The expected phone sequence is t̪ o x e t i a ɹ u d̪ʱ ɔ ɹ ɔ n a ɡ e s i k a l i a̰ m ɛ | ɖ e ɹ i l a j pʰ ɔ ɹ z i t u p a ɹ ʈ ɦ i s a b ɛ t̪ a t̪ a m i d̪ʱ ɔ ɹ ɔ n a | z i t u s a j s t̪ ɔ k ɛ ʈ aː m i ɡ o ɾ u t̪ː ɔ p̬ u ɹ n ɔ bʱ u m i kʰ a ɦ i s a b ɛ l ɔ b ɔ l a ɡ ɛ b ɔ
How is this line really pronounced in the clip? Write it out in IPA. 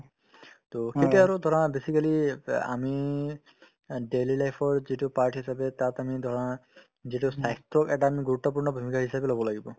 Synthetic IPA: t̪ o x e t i a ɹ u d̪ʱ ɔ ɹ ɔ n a b e s i k a l i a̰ m i | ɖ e l i l a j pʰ ɔ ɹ z i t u p a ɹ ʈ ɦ i s a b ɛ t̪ a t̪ a m i d̪ʱ ɔ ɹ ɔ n a | z i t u s a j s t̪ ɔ k ɛ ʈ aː m i ɡ u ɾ u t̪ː ɔ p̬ u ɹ n ɔ bʱ u m i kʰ a ɦ i s a b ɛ l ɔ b ɔ l a ɡ i b ɔ